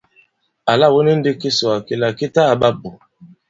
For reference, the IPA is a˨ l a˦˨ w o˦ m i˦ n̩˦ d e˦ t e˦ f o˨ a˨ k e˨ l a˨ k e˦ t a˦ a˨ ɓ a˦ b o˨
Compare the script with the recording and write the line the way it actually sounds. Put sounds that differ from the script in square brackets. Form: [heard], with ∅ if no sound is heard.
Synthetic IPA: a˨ l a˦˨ w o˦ [n] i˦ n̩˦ d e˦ [k] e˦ [s] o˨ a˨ k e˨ l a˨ k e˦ t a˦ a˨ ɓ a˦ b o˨